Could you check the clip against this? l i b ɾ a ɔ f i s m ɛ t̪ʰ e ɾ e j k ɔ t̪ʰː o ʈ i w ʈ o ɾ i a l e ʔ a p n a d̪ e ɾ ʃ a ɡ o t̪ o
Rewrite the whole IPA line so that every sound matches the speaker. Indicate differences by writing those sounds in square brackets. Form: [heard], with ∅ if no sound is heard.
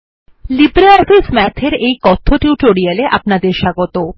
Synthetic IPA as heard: l i b ɾ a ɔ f i s m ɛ t̪ʰ e ɾ e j k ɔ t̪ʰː o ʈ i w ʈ o ɾ i a l e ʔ a p n a d̪ e ɾ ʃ a ɡ o t̪ o